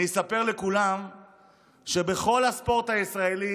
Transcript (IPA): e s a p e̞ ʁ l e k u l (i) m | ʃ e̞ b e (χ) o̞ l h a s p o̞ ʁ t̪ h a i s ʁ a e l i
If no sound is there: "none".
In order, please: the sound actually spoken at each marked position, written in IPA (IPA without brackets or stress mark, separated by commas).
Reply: a, χ